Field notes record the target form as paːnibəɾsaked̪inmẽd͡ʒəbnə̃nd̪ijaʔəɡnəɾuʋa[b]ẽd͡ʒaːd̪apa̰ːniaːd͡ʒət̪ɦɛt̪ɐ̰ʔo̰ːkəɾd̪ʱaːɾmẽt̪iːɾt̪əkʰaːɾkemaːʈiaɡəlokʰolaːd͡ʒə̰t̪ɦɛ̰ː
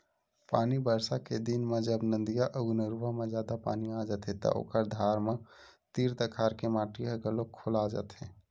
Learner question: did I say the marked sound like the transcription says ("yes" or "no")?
no